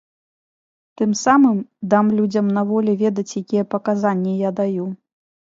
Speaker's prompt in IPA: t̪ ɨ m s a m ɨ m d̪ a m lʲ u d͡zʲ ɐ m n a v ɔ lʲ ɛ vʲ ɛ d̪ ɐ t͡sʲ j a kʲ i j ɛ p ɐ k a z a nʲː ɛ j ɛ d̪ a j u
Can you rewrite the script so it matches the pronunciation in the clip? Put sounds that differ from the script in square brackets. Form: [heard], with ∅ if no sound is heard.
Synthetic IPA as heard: t̪ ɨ m s a m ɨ m d̪ a m lʲ u d͡zʲ ɐ m n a v ɔ lʲ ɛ vʲ ɛ d̪ ɐ t͡sʲ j a kʲ i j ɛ p ɐ k a z a nʲː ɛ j [a] d̪ a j u